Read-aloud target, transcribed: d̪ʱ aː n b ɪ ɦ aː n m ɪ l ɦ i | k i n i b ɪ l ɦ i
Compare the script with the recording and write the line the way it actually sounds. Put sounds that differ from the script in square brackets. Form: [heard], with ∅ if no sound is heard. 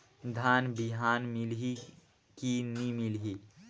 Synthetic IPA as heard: d̪ʱ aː n b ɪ ɦ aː n m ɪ l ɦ i | k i n i [m] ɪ l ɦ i

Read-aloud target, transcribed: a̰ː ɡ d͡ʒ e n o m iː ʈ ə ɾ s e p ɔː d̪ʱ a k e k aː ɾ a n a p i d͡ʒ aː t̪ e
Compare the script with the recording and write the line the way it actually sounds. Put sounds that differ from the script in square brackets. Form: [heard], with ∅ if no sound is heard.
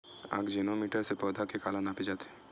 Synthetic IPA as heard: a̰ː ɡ d͡ʒ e n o m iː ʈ ə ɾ s e p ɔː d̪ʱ a k e k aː [l] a n a p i d͡ʒ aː t̪ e

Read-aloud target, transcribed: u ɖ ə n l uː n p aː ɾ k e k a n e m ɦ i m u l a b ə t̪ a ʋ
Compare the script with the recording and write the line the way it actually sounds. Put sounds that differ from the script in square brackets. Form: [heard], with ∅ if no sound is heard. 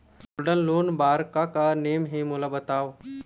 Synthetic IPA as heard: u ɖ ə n l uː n [b] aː ɾ k [a] k a n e m ɦ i m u l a b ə t̪ a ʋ

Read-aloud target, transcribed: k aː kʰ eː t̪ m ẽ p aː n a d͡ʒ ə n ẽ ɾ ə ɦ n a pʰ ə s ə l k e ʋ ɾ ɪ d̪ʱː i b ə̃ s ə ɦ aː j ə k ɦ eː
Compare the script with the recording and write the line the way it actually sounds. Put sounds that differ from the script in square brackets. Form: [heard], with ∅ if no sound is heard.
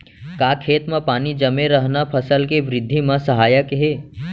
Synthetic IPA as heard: k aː kʰ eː t̪ m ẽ p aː n [i] d͡ʒ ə [m] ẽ ɾ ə ɦ n a pʰ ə s ə l k e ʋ ɾ ɪ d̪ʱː i [m] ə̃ s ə ɦ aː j ə k ɦ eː

